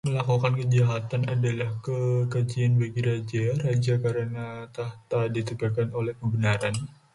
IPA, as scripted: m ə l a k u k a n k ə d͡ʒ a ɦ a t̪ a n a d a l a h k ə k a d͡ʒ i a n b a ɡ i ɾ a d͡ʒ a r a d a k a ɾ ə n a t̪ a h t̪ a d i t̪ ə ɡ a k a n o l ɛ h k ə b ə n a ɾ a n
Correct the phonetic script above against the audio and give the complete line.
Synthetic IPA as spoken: m ə l a k u k a n k ə d͡ʒ a ɦ a t̪ a n a d a l a h k ə k a d͡ʒ i a n b a ɡ i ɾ a d͡ʒ a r a d͡ʒ a k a ɾ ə n a t̪ a h t̪ a d i t̪ ə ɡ a k a n o l ɛ h k ə b ə n a ɾ a n